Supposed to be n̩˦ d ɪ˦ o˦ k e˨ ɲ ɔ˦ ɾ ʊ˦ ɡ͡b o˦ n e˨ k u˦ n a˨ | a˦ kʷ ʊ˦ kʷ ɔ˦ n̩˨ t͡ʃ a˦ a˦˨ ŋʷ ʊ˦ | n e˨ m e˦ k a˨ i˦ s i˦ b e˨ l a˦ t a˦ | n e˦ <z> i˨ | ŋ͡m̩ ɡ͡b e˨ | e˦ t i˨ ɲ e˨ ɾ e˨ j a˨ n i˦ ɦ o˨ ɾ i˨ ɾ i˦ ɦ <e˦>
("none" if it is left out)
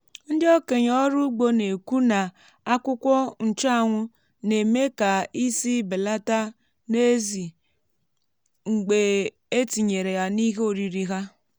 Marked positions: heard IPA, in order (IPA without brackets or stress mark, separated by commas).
z, a˦